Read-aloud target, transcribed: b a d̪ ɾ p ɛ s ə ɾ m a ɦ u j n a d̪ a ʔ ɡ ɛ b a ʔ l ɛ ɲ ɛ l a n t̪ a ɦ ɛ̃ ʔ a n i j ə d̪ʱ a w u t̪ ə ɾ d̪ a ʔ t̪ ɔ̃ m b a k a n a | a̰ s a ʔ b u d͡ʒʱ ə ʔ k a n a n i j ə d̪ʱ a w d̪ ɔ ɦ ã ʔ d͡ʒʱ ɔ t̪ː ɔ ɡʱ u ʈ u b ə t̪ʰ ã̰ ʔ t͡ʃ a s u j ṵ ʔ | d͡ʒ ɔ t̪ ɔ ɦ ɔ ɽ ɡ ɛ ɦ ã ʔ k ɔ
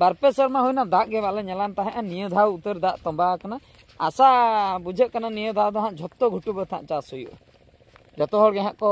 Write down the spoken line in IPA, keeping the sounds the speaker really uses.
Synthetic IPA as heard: b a ɾ p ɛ s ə ɾ m a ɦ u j n a d̪ a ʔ ɡ ɛ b a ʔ l ɛ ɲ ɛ l a n t̪ a ɦ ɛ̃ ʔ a n i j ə d̪ʱ a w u t̪ ə ɾ d̪ a ʔ t̪ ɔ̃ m b a k a n a | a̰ s a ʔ b u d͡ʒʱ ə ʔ k a n a n i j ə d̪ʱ a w d̪ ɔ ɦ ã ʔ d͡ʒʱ ɔ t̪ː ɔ ɡʱ u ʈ u b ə t̪ʰ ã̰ ʔ t͡ʃ a s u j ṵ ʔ | d͡ʒ ɔ t̪ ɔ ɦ ɔ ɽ ɡ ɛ ɦ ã ʔ k ɔ